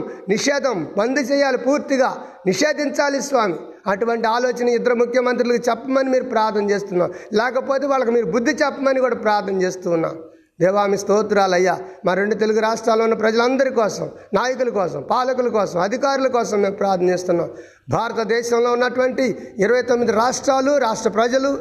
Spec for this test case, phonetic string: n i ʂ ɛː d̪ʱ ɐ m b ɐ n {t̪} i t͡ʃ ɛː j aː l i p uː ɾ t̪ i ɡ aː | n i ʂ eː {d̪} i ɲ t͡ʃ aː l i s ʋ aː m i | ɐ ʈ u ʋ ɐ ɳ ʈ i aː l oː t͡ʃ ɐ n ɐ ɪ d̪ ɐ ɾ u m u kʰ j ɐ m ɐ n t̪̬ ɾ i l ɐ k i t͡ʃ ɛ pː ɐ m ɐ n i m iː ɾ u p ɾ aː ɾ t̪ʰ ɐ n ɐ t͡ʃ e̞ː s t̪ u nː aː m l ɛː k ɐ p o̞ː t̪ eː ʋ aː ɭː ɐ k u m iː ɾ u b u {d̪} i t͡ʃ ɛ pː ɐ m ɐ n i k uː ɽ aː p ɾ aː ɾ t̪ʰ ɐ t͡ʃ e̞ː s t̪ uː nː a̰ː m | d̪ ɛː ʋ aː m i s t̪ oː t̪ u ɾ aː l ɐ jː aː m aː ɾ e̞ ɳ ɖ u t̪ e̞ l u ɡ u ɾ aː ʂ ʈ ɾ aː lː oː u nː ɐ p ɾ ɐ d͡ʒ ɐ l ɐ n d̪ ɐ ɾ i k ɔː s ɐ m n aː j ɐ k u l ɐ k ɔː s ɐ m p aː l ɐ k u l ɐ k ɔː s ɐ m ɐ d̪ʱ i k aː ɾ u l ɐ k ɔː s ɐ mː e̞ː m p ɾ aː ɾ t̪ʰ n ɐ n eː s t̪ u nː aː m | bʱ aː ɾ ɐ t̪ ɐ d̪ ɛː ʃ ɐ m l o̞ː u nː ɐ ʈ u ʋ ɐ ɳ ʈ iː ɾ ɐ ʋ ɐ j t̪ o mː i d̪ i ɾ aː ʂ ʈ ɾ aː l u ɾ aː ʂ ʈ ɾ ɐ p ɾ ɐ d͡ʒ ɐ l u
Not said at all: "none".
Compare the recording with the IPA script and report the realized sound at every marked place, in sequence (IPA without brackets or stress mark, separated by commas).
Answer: d̪, d̪, d̪ː